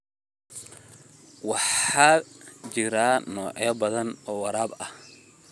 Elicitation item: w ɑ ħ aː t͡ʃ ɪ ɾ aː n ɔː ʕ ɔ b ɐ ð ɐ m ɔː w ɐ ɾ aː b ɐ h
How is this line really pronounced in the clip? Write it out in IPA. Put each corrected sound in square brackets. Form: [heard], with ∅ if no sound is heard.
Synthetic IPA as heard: w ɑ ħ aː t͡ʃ ɪ ɾ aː n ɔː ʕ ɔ b ɐ ð ɐ [n] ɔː w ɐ ɾ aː b ɐ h